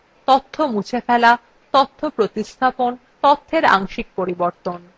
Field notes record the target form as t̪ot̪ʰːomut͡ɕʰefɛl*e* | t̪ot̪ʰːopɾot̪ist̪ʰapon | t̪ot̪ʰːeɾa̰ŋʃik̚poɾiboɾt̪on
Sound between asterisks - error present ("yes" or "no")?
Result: yes